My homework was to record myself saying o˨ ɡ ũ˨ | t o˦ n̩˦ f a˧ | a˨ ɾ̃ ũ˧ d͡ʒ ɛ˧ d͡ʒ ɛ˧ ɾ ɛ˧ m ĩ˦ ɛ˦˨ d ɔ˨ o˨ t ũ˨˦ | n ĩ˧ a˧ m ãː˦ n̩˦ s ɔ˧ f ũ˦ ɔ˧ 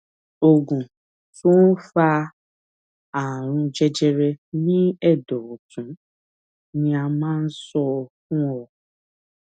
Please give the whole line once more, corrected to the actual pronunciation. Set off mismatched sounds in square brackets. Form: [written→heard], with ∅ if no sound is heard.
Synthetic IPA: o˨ ɡ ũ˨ | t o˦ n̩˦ f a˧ | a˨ ɾ̃ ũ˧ d͡ʒ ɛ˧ d͡ʒ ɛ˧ ɾ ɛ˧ [m→n] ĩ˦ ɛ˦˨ d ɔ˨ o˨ t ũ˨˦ | n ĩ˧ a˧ m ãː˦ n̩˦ s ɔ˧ f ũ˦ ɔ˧